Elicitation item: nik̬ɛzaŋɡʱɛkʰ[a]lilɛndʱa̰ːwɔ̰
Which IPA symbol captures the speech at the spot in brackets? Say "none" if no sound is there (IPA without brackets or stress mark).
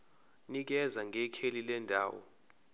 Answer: e